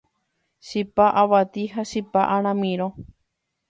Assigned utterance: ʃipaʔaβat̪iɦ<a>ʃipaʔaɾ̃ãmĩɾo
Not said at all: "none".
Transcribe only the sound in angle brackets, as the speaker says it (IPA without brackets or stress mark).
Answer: a